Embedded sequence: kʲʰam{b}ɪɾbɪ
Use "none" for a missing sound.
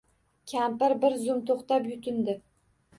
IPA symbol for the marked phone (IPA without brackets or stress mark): p